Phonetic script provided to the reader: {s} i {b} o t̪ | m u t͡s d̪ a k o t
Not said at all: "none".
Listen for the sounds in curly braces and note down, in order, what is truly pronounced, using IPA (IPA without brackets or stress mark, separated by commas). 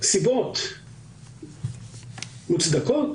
s, b